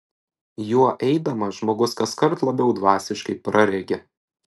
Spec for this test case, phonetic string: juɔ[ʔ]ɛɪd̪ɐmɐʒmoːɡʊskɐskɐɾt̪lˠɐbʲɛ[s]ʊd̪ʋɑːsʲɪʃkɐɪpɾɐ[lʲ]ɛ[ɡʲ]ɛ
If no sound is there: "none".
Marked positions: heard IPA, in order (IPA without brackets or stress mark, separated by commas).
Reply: ʔ, none, ɾʲ, ɡʲ